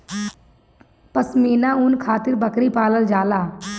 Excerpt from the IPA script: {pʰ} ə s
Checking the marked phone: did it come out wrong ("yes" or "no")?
yes